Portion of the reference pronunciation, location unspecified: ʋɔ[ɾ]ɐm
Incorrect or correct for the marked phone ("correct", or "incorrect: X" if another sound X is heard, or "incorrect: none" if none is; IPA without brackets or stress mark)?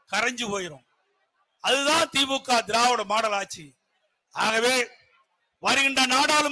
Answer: incorrect: ɽ